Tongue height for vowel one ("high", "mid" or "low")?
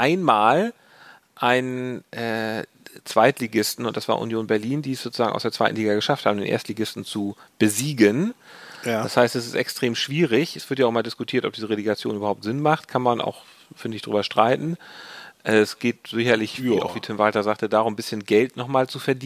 low